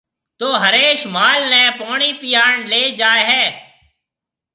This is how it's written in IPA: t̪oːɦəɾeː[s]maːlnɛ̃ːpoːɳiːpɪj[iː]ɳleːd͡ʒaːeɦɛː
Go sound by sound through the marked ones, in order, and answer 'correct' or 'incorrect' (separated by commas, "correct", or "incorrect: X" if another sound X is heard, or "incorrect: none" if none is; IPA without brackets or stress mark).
incorrect: ʃ, incorrect: aː